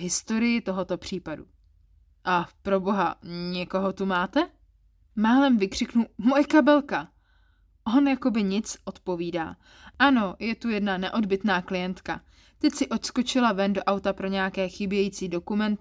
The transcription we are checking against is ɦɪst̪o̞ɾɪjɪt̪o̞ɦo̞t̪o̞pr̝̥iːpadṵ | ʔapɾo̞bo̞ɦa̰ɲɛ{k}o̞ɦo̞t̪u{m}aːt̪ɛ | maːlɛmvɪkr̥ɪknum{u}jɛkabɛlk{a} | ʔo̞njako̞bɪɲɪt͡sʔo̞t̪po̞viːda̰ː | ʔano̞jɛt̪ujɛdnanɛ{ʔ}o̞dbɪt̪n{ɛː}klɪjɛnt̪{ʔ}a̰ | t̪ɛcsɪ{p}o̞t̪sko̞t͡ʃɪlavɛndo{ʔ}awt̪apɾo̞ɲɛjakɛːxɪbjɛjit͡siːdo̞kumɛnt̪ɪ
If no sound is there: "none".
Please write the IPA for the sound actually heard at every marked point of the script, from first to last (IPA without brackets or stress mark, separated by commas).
k, m, o, a, ʔ, aː, k, ʔ, ʔ